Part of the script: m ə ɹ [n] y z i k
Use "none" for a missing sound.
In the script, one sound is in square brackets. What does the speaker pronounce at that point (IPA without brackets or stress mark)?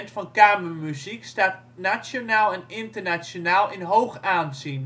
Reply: m